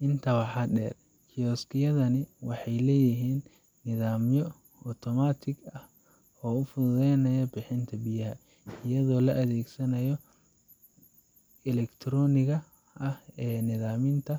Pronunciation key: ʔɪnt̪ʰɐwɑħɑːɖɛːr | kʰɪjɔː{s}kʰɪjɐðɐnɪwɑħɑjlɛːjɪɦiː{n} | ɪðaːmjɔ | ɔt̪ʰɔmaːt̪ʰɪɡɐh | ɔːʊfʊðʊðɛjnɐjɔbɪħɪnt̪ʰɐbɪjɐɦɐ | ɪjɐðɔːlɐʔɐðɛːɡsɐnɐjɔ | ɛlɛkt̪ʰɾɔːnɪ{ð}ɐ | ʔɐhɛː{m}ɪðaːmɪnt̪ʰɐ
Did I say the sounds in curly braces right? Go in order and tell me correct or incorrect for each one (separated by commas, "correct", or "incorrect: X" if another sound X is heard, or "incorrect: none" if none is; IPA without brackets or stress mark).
correct, incorrect: nː, incorrect: ɣ, incorrect: n